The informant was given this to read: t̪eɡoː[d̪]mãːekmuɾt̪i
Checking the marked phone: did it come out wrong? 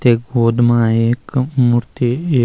no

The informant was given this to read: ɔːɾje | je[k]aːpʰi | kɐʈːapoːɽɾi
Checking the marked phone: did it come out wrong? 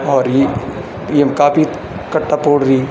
no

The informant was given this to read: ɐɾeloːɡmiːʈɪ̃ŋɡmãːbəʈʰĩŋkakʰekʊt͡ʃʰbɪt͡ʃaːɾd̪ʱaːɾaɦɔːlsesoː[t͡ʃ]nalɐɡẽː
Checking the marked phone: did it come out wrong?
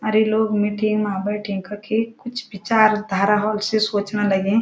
no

